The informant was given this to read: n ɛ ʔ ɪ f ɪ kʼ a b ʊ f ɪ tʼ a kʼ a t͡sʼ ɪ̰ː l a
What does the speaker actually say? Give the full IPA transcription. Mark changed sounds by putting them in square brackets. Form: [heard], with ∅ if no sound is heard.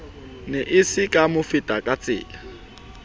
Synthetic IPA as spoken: n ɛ ʔ ɪ [s] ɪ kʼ a [m] ʊ f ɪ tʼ a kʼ a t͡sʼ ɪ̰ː l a